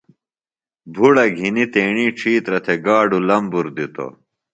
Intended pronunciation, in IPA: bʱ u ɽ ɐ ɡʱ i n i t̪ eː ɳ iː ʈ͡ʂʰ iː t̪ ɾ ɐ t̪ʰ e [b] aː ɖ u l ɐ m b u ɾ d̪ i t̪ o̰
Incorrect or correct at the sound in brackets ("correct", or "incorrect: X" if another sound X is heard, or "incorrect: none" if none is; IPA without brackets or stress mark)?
incorrect: ɡ